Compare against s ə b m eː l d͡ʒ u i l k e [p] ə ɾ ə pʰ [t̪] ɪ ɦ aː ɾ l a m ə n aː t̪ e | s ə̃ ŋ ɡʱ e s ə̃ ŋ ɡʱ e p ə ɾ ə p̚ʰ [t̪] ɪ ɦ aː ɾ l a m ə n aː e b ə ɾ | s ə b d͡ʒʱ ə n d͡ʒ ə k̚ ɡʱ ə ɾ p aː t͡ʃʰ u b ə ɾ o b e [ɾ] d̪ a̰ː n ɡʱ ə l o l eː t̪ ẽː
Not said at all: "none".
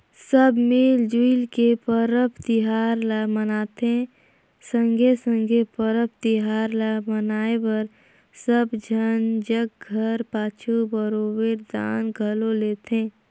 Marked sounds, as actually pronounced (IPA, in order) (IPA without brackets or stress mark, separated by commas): p, t̪, t̪, ɾ